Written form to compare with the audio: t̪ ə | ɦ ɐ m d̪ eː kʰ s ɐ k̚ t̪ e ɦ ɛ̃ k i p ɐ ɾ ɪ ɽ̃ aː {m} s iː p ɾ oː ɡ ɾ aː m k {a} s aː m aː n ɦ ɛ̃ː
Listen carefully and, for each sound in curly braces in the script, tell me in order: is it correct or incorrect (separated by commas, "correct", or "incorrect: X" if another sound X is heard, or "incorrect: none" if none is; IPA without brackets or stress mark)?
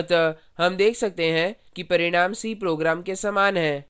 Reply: correct, incorrect: e